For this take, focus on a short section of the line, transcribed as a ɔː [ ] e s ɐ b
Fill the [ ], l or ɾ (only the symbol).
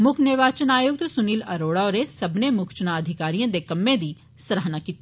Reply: ɾ